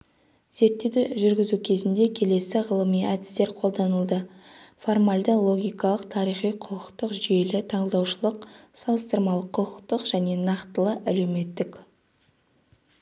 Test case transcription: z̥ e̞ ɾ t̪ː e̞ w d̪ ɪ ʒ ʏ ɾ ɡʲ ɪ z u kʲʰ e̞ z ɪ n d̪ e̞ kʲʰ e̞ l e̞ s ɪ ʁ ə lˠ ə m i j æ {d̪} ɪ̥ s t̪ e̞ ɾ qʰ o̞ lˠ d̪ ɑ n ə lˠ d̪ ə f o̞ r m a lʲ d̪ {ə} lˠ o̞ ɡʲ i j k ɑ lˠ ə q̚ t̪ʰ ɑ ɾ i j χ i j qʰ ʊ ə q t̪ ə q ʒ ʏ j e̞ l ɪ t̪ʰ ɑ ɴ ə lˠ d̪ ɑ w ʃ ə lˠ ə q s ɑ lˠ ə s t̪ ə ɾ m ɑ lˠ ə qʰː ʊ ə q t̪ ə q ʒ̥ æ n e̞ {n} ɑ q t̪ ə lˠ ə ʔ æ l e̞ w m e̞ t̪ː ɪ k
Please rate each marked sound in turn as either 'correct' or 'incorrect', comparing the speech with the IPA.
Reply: correct, correct, correct

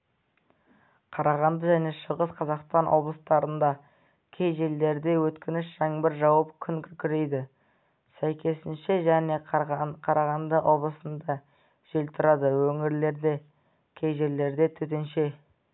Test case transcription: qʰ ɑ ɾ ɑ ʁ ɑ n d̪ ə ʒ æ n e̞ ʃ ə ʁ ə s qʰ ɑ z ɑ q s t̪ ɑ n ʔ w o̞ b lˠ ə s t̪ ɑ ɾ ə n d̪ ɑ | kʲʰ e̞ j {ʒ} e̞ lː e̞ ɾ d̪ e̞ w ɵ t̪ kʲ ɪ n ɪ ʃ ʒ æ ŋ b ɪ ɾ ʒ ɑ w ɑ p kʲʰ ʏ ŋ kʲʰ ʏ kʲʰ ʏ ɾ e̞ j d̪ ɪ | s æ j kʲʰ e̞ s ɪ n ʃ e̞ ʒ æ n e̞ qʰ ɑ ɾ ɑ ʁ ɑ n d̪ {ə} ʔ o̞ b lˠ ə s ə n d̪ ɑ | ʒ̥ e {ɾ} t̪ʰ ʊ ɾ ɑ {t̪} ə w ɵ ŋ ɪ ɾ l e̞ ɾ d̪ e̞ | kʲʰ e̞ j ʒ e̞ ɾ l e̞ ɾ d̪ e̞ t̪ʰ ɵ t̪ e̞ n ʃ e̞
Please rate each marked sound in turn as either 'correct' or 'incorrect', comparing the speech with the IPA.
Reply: correct, correct, incorrect, incorrect

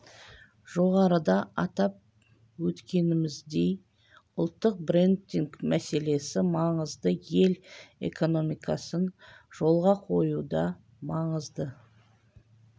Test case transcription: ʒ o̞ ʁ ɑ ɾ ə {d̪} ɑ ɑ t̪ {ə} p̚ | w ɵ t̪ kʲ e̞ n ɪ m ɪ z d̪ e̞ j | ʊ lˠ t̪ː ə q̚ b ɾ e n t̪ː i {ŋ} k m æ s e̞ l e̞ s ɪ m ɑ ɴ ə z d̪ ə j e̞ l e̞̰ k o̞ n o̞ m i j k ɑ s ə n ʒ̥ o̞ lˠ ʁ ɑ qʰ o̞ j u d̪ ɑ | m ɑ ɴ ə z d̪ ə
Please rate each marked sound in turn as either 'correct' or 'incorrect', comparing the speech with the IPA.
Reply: correct, incorrect, correct

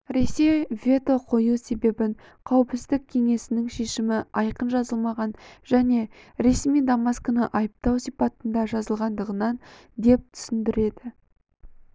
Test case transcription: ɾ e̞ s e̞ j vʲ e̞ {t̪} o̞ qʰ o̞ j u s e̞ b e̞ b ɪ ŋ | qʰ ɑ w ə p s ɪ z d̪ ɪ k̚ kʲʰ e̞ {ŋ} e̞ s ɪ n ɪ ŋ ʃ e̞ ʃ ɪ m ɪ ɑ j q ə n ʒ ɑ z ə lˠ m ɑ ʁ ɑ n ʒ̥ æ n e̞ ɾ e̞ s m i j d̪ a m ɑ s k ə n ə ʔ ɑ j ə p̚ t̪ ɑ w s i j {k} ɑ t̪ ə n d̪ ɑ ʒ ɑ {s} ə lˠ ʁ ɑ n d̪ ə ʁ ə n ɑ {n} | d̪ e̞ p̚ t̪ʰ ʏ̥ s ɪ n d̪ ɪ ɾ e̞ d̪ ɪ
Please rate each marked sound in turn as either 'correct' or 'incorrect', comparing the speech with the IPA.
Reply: correct, correct, incorrect, incorrect, correct

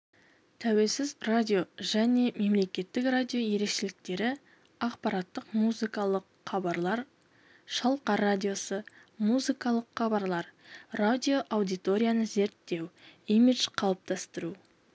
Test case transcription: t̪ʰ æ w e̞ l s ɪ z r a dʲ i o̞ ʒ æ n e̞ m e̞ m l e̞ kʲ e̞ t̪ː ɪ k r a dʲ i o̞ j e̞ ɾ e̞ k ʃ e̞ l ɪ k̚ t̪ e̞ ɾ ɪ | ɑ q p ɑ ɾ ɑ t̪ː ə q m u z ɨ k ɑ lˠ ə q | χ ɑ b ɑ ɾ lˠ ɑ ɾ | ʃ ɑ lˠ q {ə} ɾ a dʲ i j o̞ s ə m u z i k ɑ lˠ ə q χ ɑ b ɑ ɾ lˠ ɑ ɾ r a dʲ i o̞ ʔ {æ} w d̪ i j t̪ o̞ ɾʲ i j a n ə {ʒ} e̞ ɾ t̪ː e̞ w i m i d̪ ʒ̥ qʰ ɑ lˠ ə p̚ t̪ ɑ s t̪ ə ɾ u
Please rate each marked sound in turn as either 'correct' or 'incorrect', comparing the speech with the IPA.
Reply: incorrect, incorrect, incorrect

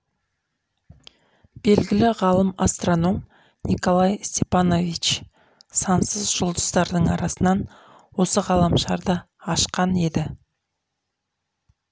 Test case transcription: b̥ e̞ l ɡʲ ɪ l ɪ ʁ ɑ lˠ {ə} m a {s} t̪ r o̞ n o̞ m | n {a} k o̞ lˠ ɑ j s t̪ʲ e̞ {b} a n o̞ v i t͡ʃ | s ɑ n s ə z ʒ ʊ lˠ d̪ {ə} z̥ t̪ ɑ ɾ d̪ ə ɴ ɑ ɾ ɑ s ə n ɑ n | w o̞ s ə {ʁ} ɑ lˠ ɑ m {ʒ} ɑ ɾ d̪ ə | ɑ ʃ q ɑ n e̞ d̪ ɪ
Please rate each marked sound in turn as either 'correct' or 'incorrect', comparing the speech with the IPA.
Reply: correct, correct, incorrect, incorrect, correct, correct, incorrect

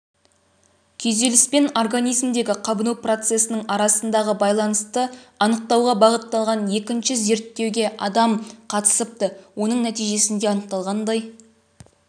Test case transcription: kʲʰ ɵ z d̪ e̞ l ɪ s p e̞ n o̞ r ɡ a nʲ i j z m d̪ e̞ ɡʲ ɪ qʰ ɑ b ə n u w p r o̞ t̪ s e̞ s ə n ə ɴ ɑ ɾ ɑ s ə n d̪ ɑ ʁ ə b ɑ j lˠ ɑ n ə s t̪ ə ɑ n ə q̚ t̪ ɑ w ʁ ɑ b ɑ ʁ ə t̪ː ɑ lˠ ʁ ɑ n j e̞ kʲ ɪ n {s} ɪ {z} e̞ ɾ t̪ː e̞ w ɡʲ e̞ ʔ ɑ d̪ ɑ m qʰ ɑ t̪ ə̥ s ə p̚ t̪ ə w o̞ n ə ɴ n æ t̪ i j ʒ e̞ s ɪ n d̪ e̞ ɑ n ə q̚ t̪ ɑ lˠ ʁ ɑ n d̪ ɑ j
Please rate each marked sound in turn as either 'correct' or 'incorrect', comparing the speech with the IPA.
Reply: incorrect, correct

